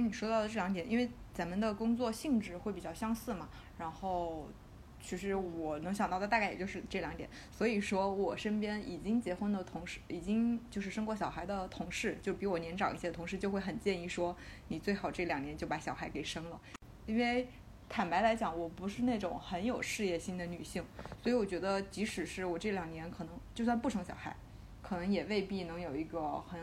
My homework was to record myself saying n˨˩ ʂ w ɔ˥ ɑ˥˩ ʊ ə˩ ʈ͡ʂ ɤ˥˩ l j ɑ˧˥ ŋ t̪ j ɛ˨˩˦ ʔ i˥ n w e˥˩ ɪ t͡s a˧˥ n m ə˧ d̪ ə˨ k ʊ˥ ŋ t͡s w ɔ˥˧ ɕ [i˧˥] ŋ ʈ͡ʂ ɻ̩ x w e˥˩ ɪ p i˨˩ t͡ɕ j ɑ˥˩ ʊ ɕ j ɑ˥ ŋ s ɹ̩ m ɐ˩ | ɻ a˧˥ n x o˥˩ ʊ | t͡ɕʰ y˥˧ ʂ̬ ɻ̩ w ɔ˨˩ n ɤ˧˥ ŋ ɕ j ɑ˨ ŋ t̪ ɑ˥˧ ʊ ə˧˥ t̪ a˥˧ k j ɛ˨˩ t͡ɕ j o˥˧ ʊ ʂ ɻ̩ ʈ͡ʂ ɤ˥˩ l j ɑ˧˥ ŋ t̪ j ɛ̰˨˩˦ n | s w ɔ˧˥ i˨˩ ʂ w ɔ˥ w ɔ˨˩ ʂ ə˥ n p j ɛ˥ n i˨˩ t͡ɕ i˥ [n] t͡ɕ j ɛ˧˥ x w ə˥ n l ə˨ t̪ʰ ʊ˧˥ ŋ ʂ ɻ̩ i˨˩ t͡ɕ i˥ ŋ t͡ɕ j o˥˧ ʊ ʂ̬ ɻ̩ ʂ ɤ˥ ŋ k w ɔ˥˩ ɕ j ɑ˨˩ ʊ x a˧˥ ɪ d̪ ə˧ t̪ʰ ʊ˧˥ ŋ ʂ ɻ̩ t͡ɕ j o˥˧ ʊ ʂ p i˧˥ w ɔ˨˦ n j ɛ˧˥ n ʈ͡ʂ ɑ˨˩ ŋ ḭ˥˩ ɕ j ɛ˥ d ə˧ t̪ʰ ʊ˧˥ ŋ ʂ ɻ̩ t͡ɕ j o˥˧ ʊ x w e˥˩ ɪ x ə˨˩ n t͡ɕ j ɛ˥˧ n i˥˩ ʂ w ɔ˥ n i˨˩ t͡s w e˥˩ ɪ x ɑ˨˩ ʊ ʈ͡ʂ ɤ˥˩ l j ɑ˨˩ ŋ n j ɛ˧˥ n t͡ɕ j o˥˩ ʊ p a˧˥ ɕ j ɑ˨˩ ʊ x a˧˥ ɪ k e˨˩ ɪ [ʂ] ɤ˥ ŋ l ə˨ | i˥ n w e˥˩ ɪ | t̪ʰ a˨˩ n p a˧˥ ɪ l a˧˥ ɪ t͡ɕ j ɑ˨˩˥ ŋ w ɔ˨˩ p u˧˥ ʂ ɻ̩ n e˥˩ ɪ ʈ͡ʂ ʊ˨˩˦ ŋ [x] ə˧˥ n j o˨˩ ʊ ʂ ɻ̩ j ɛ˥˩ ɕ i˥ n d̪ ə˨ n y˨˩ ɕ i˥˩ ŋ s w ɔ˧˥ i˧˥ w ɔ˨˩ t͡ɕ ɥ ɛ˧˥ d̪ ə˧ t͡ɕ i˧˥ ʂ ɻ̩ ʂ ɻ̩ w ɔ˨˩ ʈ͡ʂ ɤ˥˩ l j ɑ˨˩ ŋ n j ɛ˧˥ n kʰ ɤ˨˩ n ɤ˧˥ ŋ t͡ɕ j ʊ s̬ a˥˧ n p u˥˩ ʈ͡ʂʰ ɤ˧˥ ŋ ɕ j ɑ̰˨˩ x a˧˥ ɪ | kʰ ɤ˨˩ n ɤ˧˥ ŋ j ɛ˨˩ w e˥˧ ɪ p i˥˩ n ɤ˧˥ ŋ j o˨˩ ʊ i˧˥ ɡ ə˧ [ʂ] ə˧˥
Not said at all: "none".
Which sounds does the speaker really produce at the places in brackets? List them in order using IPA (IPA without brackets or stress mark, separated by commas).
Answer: i˥˧, ŋ, ʂ, x, x